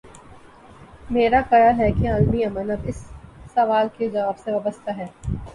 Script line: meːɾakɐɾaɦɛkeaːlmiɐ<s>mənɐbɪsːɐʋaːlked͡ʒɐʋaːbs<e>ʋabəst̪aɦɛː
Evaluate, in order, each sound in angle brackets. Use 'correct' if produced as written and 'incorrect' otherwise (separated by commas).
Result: incorrect, correct